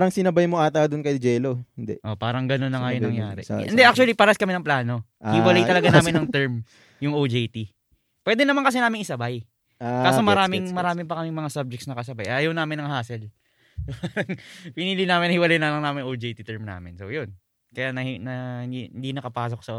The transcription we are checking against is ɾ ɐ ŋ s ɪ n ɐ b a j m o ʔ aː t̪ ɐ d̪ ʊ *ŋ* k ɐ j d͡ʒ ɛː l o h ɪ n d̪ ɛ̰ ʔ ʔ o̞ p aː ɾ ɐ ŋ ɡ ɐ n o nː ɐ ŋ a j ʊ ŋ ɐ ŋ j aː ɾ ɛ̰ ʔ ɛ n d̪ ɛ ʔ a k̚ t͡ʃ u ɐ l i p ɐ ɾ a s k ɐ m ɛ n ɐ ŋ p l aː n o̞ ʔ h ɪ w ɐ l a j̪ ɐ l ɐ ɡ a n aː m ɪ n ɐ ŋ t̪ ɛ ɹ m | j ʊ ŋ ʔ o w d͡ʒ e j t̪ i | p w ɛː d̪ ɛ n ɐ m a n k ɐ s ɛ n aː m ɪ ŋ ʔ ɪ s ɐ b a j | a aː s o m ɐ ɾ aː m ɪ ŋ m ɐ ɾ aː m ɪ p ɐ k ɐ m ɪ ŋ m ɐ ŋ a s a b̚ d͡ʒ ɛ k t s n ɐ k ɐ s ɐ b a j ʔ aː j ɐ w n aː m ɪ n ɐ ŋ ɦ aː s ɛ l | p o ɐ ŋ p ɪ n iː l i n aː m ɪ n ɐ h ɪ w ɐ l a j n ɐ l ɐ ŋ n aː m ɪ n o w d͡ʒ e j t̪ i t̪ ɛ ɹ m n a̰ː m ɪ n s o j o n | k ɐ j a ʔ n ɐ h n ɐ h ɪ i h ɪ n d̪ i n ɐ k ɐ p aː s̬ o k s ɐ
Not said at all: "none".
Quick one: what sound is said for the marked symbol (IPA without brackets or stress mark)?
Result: n